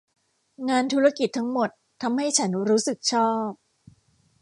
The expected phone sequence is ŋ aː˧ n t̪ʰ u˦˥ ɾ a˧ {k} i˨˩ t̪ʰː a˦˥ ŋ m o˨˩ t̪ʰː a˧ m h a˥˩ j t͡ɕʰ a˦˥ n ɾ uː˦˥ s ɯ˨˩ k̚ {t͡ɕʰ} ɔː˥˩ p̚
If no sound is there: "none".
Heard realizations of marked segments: k, t͡ɕʰ

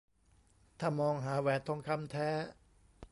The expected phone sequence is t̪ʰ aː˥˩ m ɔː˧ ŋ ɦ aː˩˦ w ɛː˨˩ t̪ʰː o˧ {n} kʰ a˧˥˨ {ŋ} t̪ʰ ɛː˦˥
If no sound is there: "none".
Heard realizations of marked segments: ŋ, m

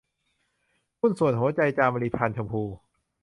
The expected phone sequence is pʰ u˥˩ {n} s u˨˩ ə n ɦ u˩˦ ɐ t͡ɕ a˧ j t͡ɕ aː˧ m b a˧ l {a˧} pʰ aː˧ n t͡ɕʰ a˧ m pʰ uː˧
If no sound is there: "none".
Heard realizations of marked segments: n, i˧

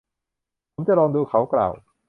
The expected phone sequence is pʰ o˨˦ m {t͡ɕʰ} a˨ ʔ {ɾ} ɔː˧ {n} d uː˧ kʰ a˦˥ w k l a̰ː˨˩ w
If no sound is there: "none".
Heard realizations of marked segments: t͡ɕ, ɾ, ŋ

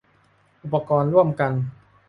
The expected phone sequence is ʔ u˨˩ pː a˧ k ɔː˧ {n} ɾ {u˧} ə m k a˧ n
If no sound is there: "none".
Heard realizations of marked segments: n, u˥˩

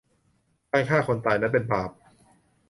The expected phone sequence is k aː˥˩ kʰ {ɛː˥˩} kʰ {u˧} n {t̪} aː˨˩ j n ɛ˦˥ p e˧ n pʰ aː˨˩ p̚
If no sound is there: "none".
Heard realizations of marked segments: aː˥˩, o˧, t̪

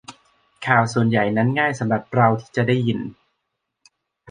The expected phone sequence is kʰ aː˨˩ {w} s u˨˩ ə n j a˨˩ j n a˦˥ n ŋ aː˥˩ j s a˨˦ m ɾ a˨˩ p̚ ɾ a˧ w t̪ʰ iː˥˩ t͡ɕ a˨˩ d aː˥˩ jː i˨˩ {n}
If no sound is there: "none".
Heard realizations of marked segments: w, n

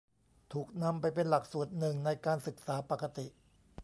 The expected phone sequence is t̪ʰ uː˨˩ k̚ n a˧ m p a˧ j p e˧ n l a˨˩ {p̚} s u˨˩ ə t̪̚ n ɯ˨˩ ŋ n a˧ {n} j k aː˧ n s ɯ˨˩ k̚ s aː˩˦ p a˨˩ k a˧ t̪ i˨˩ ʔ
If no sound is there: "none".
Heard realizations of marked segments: k̚, none

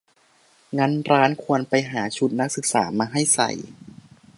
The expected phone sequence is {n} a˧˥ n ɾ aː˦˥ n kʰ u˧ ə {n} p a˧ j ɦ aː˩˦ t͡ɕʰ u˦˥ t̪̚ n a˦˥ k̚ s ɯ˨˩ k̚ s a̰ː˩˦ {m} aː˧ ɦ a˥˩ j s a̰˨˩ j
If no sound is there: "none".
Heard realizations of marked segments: ŋ, n, m

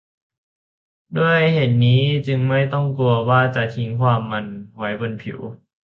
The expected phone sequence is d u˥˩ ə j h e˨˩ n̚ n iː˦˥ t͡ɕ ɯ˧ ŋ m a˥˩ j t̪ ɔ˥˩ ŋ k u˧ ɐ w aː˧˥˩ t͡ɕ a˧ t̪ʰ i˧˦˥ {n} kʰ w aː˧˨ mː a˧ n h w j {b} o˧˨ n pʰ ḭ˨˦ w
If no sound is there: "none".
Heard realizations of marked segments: ŋ, b

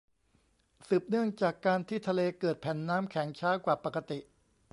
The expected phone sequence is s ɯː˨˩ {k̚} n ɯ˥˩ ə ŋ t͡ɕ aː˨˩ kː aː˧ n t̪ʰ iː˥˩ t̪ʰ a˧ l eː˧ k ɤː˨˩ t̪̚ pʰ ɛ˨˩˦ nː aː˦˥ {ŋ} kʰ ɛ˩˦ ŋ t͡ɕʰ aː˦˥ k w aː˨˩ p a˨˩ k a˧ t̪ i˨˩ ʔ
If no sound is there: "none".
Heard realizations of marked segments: p̚, m

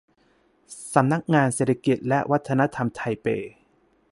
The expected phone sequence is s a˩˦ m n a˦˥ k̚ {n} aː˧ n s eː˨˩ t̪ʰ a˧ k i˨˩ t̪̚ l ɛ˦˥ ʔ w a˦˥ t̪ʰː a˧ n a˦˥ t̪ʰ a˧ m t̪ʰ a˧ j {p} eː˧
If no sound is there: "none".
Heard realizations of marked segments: ŋ, p

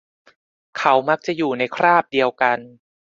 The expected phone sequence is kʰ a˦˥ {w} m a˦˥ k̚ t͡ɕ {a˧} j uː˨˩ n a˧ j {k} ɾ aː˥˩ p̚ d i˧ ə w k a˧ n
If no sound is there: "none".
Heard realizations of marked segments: w, a˨˩, kʰ

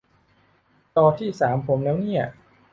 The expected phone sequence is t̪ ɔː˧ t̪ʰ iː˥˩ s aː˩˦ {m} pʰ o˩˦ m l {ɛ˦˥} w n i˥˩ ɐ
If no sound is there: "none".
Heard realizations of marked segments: m, ɛː˦˥

